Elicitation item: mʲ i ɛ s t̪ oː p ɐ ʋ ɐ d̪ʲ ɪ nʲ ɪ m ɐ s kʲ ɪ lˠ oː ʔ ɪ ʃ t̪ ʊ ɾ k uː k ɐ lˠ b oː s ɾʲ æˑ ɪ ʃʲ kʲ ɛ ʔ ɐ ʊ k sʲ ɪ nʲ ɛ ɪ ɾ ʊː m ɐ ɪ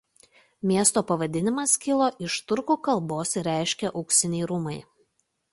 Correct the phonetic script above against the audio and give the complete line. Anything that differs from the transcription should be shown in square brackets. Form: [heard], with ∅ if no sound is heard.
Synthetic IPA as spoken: mʲ i ɛ s t̪ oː p ɐ ʋ ɐ d̪ʲ ɪ nʲ ɪ m ɐ s kʲ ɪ lˠ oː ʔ ɪ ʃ t̪ ʊ ɾ k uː k ɐ lˠ b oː s ɾʲ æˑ ɪ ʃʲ kʲ ɛ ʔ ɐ ʊ k sʲ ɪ nʲ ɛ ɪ ɾ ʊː m ɐ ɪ